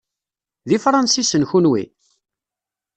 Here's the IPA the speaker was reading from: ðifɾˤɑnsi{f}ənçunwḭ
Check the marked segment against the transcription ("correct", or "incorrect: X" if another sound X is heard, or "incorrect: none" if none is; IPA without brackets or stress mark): incorrect: s